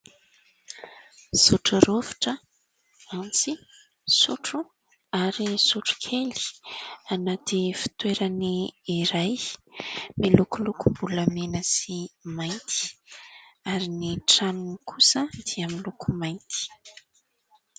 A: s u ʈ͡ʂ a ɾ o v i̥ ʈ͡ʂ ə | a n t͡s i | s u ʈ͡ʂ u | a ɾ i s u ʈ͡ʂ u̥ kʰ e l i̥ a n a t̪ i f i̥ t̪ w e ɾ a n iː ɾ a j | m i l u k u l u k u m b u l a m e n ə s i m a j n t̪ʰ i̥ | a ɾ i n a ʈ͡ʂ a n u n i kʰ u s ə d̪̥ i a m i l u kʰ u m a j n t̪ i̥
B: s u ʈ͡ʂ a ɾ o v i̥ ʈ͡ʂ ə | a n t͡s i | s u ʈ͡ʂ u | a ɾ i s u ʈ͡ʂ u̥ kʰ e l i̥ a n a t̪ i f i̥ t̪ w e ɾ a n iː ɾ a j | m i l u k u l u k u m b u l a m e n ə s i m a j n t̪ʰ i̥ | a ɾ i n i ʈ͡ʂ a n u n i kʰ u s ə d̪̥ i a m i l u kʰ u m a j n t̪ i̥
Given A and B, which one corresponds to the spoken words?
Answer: B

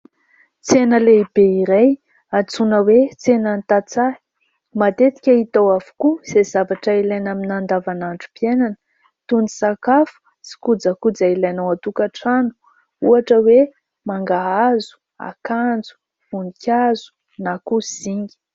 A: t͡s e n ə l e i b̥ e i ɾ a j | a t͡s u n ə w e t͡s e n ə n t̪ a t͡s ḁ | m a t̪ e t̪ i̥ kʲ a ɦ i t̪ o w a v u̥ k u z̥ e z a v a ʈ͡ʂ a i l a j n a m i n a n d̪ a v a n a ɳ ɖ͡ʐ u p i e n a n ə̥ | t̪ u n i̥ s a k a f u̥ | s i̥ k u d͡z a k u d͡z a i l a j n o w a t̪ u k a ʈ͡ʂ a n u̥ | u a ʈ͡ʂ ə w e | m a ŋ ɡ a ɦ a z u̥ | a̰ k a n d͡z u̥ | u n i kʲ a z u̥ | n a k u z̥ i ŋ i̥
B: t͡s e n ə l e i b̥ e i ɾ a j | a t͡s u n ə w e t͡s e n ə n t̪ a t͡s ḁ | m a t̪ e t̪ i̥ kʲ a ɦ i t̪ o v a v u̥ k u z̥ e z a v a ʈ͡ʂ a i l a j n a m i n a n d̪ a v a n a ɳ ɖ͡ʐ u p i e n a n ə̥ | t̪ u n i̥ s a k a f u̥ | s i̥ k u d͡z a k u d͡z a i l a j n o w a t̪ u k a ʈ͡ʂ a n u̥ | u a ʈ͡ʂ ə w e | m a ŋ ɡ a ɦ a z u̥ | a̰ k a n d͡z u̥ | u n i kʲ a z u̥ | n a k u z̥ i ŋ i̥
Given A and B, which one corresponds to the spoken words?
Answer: A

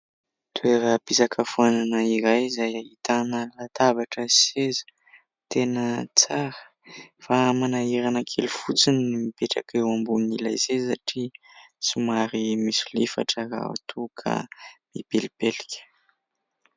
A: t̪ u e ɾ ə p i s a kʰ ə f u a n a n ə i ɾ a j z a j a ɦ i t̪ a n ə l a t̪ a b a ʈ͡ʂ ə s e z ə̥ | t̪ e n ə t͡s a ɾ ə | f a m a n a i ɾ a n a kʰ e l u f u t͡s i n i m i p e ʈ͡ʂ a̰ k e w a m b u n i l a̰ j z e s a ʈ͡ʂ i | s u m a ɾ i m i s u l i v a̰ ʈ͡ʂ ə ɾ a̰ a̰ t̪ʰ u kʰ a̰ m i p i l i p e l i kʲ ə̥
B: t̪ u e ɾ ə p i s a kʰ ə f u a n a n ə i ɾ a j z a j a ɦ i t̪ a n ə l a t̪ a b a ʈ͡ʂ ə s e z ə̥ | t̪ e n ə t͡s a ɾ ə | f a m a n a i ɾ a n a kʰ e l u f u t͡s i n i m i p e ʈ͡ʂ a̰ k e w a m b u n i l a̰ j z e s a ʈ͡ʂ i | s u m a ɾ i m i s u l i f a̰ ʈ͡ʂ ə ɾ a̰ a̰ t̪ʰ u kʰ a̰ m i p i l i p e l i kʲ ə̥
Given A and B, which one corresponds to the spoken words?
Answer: B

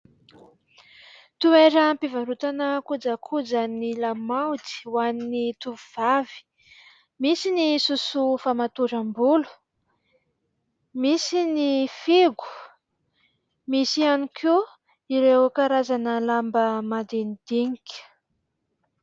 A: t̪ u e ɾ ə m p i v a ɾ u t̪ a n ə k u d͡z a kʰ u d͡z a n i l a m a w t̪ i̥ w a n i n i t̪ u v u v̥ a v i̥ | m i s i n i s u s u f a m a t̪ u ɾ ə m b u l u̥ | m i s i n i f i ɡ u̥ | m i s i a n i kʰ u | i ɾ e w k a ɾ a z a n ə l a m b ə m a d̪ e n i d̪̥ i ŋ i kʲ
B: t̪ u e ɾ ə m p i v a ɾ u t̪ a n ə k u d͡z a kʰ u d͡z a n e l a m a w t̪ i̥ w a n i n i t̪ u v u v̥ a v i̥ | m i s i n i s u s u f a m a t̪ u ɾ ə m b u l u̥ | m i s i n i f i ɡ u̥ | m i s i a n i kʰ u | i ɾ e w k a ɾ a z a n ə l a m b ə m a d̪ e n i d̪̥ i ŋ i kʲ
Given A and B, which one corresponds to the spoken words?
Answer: A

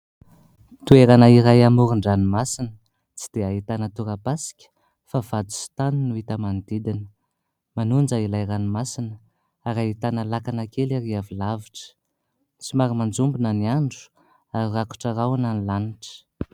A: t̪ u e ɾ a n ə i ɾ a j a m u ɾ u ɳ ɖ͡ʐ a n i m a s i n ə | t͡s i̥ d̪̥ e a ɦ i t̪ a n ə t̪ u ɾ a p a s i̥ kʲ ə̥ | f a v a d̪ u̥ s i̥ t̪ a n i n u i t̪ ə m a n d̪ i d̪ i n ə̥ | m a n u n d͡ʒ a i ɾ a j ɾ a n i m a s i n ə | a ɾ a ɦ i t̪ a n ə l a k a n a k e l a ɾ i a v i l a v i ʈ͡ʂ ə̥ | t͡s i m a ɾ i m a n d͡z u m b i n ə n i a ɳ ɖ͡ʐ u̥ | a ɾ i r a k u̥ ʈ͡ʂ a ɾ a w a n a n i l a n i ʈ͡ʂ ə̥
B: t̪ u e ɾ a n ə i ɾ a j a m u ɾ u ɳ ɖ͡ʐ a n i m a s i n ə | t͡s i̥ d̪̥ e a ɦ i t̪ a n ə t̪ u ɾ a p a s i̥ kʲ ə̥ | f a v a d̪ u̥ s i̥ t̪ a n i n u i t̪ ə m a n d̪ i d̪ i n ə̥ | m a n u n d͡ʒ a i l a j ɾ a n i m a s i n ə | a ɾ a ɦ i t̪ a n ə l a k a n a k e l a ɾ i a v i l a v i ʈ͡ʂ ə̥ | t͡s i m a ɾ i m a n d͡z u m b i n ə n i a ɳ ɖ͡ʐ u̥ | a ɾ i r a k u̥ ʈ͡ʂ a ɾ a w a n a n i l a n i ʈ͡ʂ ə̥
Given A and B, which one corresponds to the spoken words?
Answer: B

